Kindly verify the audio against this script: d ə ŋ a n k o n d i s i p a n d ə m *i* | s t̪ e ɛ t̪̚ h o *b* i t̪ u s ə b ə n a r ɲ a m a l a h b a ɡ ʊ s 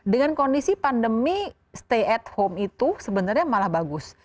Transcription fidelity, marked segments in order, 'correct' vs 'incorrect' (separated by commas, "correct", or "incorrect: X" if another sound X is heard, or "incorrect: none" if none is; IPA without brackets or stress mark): correct, incorrect: m